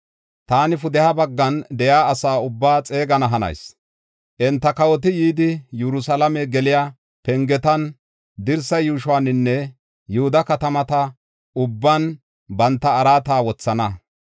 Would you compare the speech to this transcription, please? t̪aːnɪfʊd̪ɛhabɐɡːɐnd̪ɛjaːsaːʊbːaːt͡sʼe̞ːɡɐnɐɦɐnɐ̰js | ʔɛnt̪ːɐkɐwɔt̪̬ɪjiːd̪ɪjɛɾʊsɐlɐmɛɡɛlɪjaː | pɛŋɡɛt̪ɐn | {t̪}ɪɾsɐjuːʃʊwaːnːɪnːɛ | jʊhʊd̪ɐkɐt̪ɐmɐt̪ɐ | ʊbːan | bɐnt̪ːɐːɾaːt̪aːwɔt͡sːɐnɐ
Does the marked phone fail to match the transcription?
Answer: yes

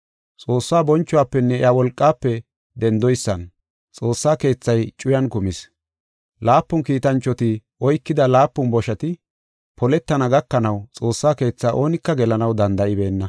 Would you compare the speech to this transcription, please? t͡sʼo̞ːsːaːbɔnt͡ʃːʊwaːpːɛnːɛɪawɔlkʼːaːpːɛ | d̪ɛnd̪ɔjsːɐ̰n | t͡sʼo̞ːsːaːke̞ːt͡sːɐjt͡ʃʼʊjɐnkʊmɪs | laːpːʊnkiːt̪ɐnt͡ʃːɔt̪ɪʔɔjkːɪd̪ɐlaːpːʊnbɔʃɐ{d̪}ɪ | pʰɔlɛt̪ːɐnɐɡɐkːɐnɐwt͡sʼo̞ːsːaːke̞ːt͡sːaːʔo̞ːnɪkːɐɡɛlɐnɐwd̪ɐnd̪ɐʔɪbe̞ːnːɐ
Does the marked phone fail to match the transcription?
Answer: yes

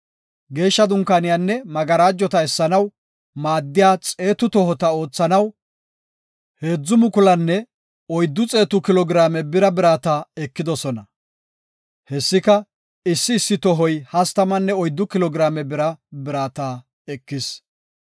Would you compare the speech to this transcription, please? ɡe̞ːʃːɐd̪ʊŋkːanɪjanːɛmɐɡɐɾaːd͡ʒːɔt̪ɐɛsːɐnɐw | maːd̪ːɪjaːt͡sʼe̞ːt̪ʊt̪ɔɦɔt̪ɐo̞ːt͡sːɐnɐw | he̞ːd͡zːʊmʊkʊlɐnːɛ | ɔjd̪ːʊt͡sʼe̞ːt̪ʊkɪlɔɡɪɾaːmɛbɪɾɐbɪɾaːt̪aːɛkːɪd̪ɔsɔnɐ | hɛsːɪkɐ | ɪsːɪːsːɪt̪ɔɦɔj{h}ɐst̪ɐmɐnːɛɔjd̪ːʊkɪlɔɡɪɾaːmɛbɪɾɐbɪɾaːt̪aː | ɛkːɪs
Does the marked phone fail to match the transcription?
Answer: no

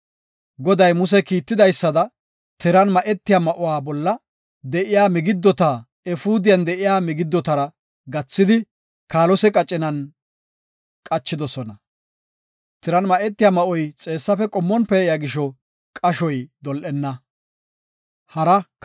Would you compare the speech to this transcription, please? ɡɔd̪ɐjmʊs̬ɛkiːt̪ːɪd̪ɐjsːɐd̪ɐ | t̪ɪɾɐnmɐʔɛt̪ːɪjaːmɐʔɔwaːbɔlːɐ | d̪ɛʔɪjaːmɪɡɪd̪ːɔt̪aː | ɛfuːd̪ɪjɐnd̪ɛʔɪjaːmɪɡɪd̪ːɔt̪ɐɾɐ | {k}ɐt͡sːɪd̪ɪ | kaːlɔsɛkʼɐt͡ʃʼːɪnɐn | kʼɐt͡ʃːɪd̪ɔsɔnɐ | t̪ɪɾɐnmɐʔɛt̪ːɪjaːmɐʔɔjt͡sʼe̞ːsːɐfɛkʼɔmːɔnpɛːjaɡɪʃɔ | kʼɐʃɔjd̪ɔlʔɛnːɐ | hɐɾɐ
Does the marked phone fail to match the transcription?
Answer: yes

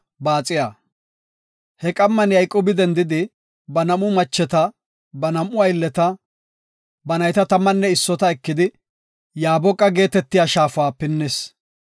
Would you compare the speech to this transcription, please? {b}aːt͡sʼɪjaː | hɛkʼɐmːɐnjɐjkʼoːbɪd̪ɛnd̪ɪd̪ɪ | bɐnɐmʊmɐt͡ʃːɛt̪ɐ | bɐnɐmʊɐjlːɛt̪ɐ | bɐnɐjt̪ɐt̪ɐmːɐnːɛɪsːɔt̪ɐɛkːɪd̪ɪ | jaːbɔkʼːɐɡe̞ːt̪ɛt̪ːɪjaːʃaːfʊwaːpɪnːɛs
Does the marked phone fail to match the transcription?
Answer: no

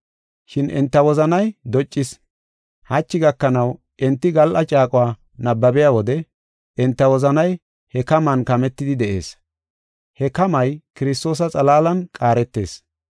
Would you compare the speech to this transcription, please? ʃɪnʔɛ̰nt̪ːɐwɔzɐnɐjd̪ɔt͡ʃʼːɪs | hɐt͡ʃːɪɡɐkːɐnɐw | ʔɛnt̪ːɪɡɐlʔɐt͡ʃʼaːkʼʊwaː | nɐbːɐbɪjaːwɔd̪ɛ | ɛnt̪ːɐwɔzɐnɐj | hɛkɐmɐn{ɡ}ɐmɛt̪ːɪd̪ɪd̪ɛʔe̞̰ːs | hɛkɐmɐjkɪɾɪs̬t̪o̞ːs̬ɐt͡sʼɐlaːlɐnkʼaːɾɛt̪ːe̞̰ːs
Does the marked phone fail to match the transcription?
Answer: yes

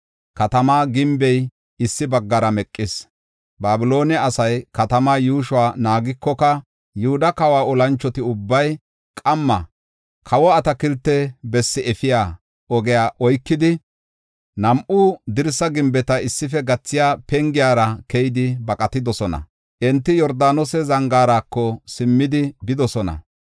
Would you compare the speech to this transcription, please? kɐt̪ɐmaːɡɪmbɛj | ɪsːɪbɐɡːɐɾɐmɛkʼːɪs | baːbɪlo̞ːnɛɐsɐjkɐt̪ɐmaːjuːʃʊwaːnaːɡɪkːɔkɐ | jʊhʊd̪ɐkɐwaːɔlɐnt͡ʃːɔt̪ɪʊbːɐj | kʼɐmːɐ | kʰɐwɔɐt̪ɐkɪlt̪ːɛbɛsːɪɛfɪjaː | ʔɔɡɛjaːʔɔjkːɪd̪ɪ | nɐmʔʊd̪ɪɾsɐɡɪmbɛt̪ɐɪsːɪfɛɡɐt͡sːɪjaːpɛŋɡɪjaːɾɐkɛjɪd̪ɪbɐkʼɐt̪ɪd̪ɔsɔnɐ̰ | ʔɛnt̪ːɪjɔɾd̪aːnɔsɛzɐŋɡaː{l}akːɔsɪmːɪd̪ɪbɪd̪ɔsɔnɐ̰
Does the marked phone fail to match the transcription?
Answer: yes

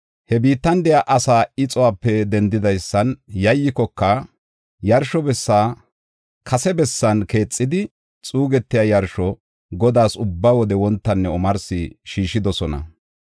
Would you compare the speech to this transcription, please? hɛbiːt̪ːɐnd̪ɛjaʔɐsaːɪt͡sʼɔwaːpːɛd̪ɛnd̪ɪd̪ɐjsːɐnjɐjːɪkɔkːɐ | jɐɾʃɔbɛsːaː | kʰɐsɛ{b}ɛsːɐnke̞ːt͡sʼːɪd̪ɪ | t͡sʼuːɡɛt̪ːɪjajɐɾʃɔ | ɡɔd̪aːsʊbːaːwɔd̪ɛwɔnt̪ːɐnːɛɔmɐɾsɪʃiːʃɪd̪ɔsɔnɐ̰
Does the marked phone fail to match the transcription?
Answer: no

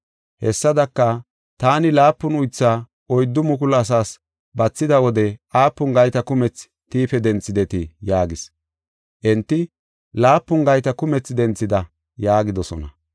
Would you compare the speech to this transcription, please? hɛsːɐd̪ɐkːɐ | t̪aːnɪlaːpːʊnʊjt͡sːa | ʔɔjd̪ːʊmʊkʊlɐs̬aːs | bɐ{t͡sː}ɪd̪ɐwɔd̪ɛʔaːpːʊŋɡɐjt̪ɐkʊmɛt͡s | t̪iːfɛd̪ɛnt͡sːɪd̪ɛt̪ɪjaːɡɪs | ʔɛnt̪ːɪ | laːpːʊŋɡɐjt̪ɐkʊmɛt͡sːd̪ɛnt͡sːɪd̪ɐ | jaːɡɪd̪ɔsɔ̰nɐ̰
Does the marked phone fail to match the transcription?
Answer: no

